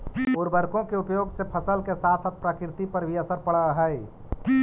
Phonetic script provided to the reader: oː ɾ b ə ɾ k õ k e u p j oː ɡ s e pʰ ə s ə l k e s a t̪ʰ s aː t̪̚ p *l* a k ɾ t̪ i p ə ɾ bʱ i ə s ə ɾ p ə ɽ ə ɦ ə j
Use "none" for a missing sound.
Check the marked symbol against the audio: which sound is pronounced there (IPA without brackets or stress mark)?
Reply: ɾ